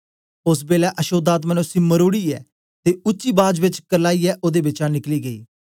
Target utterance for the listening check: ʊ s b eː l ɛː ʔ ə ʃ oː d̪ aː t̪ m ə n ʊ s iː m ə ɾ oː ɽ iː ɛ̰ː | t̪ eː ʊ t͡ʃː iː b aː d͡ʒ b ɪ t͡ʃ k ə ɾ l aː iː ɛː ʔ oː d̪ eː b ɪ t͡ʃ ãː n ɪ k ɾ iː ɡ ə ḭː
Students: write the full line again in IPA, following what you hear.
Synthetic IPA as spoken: ʊ s b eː l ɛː ʔ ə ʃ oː d̪ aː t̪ m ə n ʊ s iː m ə ɾ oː ɽ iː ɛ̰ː | t̪ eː ʊ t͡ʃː iː b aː d͡ʒ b ɪ t͡ʃ k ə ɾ l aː iː ɛː ʔ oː d̪ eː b ɪ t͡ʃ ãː n ɪ k l iː ɡ ə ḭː